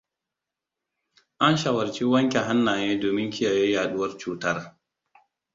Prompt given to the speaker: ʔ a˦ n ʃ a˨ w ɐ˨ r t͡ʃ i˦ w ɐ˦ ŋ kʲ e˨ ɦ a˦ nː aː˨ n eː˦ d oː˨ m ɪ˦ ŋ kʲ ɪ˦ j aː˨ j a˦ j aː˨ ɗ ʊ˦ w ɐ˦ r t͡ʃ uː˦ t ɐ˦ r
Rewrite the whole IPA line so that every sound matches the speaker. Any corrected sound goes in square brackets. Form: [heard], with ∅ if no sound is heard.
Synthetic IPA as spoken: ʔ a˦ n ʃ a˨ w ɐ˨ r t͡ʃ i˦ w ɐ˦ ŋ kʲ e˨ ɦ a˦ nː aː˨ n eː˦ d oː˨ m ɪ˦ ŋ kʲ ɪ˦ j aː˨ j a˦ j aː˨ ɗ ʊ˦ w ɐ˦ r t͡ʃ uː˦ t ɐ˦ r